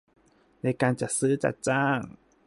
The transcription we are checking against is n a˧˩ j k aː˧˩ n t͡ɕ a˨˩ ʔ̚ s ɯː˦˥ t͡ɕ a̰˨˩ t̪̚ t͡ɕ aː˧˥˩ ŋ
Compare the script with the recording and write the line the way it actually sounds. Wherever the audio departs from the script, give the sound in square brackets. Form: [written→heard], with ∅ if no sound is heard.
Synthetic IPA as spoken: n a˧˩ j k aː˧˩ n t͡ɕ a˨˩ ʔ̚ s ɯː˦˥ t͡ɕ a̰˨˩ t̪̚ t͡ɕ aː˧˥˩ ŋ